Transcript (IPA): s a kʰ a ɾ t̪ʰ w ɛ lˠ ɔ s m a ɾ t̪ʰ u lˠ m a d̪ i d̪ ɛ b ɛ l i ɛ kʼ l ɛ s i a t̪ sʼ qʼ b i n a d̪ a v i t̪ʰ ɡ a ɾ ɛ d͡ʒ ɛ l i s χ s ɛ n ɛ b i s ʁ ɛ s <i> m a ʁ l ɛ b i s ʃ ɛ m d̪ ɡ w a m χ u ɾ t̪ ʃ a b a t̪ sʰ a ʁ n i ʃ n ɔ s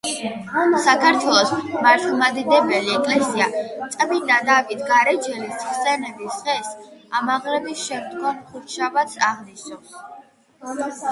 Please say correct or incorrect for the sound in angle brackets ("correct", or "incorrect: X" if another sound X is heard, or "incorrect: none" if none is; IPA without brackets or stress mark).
incorrect: a